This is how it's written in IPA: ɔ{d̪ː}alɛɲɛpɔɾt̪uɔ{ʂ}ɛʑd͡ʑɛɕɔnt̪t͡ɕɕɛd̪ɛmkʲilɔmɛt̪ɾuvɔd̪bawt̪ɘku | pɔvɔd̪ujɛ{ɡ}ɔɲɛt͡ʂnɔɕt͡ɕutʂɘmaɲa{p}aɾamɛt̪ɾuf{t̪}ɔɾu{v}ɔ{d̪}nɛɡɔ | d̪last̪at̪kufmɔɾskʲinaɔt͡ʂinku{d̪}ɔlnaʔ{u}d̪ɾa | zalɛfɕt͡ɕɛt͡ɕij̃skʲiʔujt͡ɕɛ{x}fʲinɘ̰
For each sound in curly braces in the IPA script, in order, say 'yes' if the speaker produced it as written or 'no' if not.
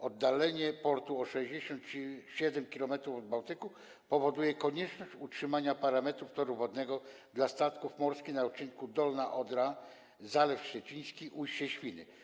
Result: yes, yes, no, yes, yes, yes, yes, yes, no, no

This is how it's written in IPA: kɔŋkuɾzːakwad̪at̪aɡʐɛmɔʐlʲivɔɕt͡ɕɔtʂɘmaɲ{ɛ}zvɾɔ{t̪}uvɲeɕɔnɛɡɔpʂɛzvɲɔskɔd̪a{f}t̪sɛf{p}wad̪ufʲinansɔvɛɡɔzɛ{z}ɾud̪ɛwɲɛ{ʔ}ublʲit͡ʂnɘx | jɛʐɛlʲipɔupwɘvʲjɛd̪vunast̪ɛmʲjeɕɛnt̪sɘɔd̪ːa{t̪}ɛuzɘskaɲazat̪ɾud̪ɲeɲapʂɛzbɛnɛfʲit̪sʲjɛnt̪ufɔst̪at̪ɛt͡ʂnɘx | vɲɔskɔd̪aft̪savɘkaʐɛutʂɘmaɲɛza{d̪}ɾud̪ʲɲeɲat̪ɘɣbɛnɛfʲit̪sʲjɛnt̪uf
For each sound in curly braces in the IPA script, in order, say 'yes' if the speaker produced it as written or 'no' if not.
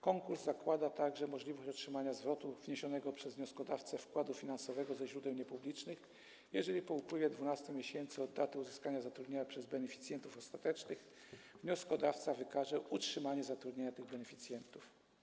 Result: no, yes, yes, no, no, no, yes, no

